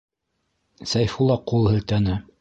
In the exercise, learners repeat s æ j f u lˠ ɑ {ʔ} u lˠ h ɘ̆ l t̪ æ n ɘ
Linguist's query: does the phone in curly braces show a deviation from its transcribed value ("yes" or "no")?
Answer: yes